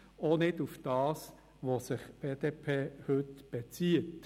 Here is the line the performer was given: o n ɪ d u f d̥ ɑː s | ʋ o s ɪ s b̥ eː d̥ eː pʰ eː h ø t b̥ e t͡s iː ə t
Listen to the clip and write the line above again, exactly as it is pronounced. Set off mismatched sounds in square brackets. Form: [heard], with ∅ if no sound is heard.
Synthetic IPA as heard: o n ɪ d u f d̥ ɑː s | ʋ o s ɪ [χ] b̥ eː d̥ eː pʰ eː h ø t b̥ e t͡s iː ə t